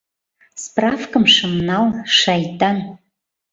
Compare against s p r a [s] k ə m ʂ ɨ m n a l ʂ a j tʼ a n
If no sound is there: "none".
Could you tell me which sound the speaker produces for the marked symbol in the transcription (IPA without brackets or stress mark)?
f